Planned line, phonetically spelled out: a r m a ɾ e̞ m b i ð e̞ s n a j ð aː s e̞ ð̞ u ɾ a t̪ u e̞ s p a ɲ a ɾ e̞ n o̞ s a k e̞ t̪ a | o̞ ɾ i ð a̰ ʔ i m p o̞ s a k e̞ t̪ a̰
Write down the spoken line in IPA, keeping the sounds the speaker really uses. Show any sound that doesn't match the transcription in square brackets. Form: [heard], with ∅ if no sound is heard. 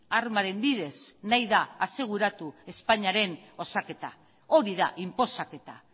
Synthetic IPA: a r m a ɾ e̞ m b i ð e̞ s n a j ð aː s e̞ [ɣ̞] u ɾ a t̪ u e̞ s p a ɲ a ɾ e̞ n o̞ s a k e̞ t̪ a | o̞ ɾ i ð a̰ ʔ i m p o̞ s a k e̞ t̪ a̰